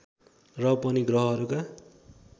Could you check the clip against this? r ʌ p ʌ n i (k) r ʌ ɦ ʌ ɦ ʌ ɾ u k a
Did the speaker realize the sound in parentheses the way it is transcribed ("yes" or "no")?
no